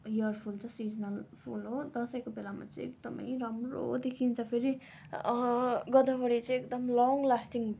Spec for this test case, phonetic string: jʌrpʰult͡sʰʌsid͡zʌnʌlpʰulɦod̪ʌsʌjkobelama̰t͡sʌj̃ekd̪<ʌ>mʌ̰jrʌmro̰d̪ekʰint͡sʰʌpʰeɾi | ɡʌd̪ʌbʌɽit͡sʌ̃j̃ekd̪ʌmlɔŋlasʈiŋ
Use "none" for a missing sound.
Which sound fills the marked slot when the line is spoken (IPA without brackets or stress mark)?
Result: ʌ